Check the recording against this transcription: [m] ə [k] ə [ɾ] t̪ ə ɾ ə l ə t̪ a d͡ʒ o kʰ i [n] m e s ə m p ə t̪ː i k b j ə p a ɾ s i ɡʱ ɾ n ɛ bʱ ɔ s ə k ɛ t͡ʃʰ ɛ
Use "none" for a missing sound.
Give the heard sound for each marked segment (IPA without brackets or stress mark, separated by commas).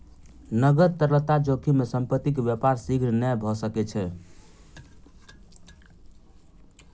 n, ɡ, ɾ, none